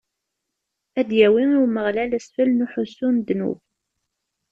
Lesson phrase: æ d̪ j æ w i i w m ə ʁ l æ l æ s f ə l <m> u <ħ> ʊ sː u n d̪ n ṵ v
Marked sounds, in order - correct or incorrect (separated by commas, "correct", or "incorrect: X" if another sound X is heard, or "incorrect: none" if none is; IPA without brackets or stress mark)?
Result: incorrect: n, correct